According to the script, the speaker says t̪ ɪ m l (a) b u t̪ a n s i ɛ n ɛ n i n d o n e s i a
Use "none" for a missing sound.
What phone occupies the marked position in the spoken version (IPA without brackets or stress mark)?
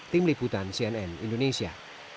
i